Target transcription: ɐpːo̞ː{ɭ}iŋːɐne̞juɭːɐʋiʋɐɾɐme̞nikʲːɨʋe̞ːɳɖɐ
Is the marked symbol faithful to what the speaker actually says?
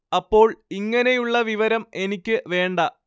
yes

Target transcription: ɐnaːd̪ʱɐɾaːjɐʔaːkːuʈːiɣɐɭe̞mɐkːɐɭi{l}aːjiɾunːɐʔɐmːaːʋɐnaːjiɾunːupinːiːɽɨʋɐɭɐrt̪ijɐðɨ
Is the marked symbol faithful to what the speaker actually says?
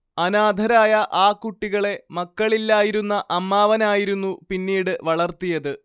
no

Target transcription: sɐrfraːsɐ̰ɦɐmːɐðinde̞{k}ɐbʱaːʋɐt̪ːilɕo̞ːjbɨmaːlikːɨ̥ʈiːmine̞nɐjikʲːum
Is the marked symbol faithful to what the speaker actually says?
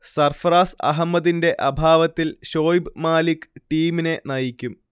no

